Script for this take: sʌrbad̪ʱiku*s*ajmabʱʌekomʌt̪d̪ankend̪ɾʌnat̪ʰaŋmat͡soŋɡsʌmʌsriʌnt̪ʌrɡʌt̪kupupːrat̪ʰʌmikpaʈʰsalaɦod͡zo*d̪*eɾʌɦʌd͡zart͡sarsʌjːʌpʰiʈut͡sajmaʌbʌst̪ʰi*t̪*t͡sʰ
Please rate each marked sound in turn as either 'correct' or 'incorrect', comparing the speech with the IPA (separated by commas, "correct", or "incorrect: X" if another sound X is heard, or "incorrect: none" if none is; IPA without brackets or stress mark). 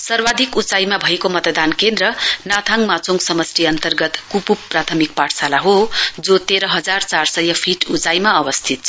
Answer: incorrect: t͡s, incorrect: t̪, correct